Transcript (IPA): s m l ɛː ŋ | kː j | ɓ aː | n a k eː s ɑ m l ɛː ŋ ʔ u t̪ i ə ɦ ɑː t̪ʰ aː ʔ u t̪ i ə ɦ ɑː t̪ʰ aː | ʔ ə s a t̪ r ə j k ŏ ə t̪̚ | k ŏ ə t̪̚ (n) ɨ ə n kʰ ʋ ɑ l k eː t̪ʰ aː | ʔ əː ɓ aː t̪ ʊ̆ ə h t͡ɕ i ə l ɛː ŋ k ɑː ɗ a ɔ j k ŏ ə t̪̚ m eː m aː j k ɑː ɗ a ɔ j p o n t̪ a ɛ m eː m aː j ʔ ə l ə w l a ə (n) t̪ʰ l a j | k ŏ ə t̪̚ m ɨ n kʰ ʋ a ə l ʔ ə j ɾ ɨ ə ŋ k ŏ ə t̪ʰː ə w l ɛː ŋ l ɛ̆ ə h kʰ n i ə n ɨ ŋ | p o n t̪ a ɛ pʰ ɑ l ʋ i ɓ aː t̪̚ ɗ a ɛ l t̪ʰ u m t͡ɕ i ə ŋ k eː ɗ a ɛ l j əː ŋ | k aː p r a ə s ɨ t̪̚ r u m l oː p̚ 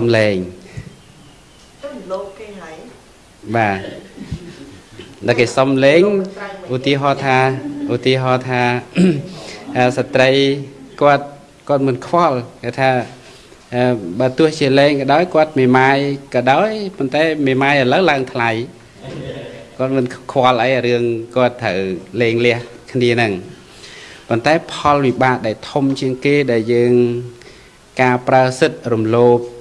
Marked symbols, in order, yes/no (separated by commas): no, no